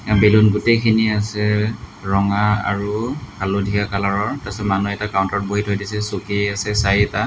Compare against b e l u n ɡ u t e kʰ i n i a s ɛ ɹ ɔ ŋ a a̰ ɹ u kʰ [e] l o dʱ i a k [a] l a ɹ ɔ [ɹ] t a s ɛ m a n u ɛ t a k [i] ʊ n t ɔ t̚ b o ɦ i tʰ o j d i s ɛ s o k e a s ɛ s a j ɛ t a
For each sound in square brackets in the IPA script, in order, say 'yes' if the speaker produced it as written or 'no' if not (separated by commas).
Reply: no, yes, yes, no